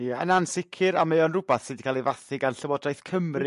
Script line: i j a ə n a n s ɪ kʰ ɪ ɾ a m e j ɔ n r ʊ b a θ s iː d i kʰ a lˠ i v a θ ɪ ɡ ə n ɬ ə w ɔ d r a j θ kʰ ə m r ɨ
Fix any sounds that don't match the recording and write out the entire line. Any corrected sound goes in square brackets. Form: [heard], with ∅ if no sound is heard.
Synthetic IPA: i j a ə n a n s ɪ kʰ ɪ ɾ a m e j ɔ n r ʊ b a θ s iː d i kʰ a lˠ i v a θ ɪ ɡ [a] n ɬ ə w ɔ d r a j θ kʰ ə m r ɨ